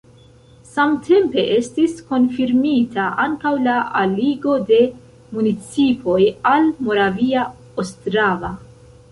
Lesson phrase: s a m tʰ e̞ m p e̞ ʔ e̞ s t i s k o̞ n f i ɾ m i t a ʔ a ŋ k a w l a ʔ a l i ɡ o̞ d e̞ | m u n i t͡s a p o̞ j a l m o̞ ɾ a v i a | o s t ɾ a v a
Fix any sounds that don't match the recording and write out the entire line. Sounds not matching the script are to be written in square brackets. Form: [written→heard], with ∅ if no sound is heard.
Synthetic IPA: s a m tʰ e̞ m p e̞ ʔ e̞ s t i s k o̞ n f i ɾ m i t a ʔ a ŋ k a w l a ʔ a l i ɡ o̞ d e̞ | m u n i t͡s [a→i] p o̞ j a l m o̞ ɾ a v i a | o s t ɾ a v a